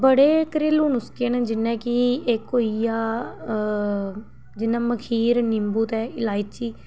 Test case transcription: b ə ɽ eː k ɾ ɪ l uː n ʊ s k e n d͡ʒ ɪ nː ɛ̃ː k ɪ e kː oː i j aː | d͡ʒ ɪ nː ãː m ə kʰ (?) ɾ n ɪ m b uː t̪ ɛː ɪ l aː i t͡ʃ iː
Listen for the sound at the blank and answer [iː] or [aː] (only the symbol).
iː